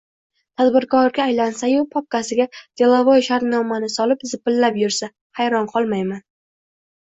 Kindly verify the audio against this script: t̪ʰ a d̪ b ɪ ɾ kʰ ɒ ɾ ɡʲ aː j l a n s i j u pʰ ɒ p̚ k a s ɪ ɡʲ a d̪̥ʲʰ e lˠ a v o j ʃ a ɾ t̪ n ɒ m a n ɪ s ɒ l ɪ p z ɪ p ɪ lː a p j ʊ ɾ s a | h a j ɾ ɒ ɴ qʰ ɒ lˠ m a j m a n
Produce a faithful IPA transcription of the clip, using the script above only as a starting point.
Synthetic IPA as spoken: t̪ʰ a d̪ b ɪ ɾ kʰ ɒ ɾ ɡʲ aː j l a n s a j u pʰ ɒ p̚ k a s ɪ ɡʲ a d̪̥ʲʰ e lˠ a v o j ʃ a ɾ t̪ n ɒ m a n ɪ s ɒ l ɪ p z ɪ p ɪ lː a p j ʊ ɾ s a | h a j ɾ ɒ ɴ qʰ ɒ lˠ m a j m a n